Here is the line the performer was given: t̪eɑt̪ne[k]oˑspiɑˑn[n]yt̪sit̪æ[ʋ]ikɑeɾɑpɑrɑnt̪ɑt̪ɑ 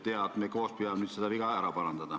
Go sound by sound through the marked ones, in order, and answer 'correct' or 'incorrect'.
correct, correct, correct

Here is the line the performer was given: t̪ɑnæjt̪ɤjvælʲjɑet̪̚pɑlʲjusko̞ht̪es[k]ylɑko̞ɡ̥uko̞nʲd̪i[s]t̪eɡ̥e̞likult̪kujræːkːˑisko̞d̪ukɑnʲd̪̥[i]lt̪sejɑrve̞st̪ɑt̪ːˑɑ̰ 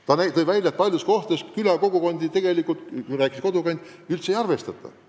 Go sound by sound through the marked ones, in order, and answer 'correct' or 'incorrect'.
correct, incorrect, incorrect

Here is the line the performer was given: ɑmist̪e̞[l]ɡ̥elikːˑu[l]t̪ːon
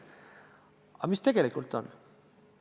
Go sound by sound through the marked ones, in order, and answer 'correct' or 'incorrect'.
incorrect, correct

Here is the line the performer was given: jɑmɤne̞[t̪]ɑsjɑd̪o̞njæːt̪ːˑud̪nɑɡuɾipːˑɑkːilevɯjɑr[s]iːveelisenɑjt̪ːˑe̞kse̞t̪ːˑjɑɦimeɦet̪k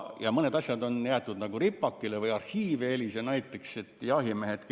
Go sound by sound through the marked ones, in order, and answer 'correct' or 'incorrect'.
incorrect, incorrect

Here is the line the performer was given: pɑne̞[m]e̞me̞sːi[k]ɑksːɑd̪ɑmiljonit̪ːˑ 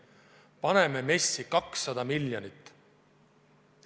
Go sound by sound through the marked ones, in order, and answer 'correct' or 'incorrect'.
correct, correct

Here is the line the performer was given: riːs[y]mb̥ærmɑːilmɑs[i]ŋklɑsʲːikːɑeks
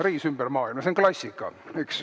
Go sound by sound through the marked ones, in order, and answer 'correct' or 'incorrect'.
correct, incorrect

